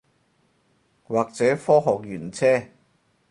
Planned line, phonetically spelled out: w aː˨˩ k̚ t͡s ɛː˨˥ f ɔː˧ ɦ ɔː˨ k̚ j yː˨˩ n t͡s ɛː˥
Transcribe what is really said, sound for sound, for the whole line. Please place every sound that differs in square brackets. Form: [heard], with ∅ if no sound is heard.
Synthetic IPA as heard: w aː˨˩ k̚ t͡s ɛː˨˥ f [ɔː˥] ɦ ɔː˨ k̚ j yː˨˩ n [t͡sʰ] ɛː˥